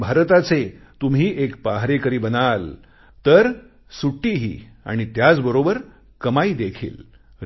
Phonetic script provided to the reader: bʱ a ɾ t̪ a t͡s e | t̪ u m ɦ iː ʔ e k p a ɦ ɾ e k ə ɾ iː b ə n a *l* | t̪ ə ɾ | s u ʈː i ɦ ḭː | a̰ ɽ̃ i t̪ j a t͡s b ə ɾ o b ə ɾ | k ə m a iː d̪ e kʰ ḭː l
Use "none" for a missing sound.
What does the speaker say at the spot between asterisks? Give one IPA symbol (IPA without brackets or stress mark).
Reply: l